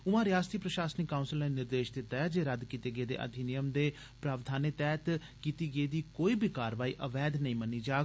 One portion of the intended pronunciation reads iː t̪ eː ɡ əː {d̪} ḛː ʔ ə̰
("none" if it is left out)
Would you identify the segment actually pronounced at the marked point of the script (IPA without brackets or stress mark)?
d̪